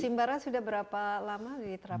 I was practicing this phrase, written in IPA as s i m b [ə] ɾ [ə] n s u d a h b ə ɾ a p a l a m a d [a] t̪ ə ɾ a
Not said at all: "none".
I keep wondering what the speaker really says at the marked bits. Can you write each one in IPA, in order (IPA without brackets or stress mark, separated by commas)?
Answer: a, a, i